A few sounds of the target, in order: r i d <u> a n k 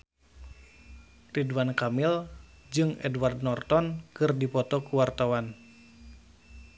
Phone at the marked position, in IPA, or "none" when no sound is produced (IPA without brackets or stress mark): w